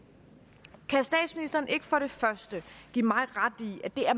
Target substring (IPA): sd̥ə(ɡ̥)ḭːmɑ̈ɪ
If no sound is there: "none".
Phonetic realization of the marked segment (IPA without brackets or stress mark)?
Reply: ɡ̥